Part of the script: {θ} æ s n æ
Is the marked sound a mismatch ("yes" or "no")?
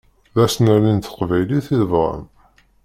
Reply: yes